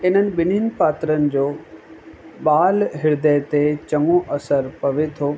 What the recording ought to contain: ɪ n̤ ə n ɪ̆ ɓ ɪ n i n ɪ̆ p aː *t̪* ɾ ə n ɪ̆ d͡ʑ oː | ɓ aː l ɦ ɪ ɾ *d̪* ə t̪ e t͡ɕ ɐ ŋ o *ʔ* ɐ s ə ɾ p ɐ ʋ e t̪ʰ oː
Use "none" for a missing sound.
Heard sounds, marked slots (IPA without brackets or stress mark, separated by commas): t̪, d̪, ʔ